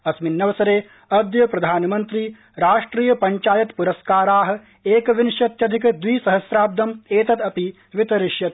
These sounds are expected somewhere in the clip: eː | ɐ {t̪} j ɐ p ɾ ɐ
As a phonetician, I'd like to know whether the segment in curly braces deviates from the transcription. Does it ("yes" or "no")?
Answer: yes